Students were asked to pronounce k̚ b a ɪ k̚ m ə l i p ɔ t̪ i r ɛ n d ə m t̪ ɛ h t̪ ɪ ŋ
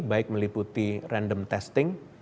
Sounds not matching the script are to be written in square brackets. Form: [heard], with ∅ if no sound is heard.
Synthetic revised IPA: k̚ b a ɪ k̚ m ə l i p [u] t̪ i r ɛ n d ə m t̪ ɛ [s] t̪ ɪ ŋ

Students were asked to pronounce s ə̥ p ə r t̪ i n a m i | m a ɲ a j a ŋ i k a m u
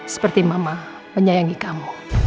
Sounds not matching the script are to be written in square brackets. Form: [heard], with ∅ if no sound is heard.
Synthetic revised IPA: s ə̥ p ə r t̪ i [m] a m [a] | m [ə] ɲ a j a ŋ i k a m u

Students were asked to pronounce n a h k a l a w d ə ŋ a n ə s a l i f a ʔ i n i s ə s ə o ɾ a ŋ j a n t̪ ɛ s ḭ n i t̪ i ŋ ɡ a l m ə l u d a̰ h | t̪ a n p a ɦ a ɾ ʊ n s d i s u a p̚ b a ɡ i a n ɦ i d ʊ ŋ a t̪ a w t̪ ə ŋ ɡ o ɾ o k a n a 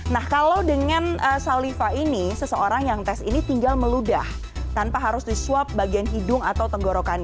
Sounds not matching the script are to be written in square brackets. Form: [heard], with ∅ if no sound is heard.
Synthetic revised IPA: n a h k a l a w d ə ŋ a n ə s a l i f a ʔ i n i s ə s ə o ɾ a ŋ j a [ŋ] t̪ ɛ s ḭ n i t̪ i ŋ ɡ a l m ə l u d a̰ h | t̪ a n p a ɦ a ɾ ʊ [∅] s d i s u a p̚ b a ɡ i a n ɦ i d ʊ ŋ a t̪ a w t̪ ə ŋ ɡ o ɾ o k a n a

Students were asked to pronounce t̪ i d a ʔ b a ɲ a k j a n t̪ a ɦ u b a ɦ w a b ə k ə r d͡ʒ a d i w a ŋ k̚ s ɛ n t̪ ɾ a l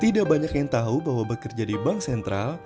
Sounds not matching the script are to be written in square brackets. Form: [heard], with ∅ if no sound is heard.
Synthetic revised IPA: t̪ i d a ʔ b a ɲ a k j a [ŋ] t̪ a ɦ u b a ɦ w a b ə k ə r d͡ʒ a d i [b] a ŋ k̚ s ɛ n t̪ ɾ a l

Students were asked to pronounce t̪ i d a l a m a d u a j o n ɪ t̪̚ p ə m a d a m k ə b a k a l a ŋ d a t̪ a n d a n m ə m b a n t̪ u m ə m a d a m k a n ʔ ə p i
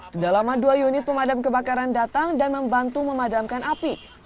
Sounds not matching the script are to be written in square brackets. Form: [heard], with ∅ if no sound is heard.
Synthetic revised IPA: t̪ i d a l a m a d u a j [u] n ɪ t̪̚ p ə m a d a m k ə b a k a [ɾ] a [n] d a t̪ a [ŋ] d a n m ə m b a n t̪ u m ə m a d a m k a n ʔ [a] p i

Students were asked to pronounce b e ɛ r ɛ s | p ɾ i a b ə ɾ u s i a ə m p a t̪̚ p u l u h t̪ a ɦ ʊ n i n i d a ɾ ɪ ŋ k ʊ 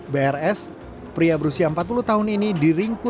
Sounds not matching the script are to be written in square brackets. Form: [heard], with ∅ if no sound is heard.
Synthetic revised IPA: b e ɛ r ɛ s | p ɾ i a b ə ɾ u s i a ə m p a t̪̚ p u l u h t̪ a ɦ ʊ n i n i d [i] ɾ [i] ŋ k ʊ

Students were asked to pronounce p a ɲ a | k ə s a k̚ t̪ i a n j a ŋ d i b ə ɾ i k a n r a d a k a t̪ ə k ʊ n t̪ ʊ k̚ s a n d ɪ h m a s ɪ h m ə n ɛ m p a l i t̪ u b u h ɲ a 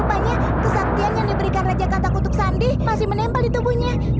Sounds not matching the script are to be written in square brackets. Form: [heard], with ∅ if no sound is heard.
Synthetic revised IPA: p a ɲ a | k ə s a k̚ t̪ i a n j a ŋ d i b ə ɾ i k a n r a [d͡ʒ] a k a t̪ [a] k [u] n t̪ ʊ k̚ s a n d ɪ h m a s ɪ h m ə n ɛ m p a l i t̪ u b u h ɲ a

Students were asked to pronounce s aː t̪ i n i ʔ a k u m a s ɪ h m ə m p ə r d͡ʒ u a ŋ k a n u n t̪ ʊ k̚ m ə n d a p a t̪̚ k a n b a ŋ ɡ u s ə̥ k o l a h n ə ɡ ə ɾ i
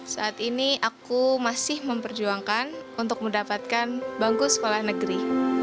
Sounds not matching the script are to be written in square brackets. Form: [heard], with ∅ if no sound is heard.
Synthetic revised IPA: s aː t̪ i n i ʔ a k u m a s ɪ h m ə m p ə r d͡ʒ u a ŋ k a n u n t̪ ʊ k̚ m ə n d a p a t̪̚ k a n b a ŋ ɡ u s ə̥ k o l a h n ə ɡ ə ɾ i

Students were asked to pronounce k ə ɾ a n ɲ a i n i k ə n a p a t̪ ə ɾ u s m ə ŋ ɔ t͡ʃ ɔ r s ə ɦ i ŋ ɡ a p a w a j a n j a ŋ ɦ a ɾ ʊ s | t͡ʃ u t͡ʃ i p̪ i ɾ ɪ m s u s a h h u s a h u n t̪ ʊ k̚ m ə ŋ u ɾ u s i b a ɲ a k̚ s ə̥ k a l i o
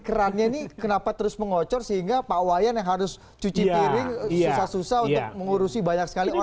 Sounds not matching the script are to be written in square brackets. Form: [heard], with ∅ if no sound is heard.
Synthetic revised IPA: k ə ɾ a n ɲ a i n i k ə n a p a t̪ ə ɾ [ʊ] s m ə ŋ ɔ t͡ʃ ɔ r s ə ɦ i ŋ ɡ a p a w a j a n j a ŋ ɦ a ɾ ʊ s | t͡ʃ u t͡ʃ i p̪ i ɾ ɪ [ŋ] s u s a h [s] u s a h u n t̪ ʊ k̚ m ə ŋ u ɾ u s i b a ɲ a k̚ s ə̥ k a l i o

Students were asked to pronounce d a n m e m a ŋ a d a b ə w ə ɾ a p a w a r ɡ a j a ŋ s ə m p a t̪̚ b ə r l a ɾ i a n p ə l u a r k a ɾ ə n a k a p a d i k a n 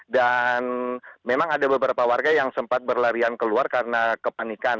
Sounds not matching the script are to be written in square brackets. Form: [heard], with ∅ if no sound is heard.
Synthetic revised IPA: d a n m e m a ŋ a d a b ə [b] ə ɾ a p a w a r ɡ a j a ŋ s ə m p a t̪̚ b ə r l a ɾ i a n [k] ə l u a r k a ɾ ə n a k [ə] p a [n] i k a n

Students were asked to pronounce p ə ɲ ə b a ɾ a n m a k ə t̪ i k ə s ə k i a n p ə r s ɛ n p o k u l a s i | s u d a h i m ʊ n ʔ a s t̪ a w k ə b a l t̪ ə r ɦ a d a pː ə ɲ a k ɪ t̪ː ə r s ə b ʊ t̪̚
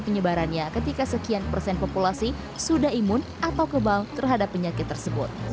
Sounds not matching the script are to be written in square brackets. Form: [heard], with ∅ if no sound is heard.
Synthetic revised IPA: p ə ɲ ə b a ɾ a n [ɲ] a k ə t̪ i k [a] s ə k i a n p ə r s ɛ n p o [p] u l a s i | s u d a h i m ʊ n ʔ a [∅] t̪ a w k ə b a l t̪ ə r ɦ a d a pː ə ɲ a k ɪ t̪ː ə r s ə b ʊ t̪̚

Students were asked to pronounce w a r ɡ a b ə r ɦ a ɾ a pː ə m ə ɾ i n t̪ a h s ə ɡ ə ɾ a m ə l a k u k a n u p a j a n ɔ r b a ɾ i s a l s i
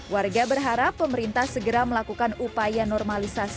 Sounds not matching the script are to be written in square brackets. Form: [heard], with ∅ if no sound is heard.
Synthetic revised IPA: w a r ɡ a b ə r ɦ a ɾ a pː ə m ə ɾ i n t̪ a h s ə ɡ ə ɾ a m ə l a k u k a n u p a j a n ɔ r [m] a [l] i s a [∅] s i

